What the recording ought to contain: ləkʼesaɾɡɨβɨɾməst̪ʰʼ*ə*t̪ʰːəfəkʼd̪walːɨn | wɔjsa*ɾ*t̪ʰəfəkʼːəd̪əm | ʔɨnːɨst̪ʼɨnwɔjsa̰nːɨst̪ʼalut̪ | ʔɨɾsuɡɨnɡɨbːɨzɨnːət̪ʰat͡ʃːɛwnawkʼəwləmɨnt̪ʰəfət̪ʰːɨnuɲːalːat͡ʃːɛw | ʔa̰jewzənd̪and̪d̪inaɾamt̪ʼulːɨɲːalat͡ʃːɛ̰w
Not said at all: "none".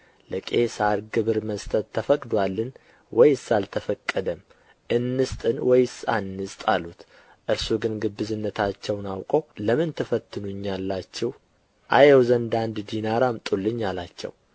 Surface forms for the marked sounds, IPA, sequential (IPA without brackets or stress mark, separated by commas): ə, l